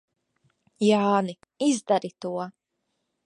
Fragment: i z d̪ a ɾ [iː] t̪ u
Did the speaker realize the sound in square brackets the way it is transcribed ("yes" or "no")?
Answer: no